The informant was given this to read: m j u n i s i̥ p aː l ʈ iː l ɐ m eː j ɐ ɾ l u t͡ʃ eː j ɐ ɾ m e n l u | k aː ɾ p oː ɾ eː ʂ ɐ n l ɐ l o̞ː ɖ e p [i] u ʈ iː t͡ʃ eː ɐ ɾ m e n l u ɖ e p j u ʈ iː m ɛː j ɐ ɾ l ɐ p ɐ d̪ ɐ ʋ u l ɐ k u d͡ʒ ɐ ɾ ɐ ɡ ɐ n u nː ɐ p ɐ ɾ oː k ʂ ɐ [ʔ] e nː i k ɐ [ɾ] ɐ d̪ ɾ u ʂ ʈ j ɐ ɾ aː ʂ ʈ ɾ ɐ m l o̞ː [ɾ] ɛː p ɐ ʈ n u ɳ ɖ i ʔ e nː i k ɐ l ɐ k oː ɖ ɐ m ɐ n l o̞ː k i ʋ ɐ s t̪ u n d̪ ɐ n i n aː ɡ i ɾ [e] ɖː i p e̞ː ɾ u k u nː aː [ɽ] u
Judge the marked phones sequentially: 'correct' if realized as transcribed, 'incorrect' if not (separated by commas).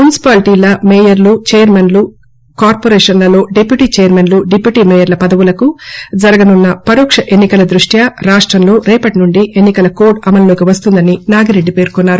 incorrect, correct, incorrect, correct, correct, incorrect